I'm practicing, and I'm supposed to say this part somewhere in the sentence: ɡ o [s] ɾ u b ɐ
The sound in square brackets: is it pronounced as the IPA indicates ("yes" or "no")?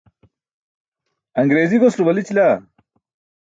yes